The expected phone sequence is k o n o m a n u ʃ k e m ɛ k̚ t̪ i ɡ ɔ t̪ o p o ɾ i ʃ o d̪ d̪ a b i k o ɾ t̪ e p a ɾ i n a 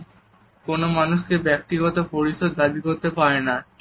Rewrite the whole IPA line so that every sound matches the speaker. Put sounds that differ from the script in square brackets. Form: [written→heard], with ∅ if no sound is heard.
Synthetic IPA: k o n o m a n u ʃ k e [m→b] ɛ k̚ t̪ i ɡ ɔ t̪ o p o ɾ i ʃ o d̪ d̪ a b i k o ɾ t̪ e p a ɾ [i→e] n a